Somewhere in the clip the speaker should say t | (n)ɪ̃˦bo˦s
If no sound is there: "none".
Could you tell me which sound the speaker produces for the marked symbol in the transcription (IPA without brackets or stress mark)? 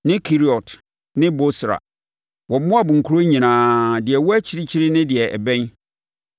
n